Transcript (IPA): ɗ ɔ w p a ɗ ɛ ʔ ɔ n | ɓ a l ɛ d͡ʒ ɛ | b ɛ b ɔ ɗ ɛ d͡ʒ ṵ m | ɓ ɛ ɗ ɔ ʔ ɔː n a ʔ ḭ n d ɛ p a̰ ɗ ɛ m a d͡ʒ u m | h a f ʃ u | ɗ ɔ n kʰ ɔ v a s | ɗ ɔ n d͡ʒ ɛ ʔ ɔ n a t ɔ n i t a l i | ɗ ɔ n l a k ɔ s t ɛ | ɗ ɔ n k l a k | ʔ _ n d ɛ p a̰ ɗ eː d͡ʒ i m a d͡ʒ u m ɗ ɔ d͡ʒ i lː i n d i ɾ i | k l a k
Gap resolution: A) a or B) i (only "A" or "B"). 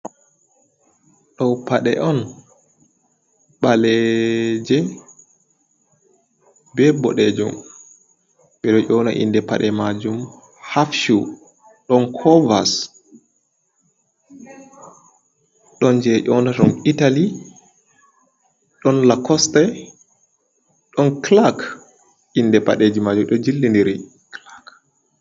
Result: B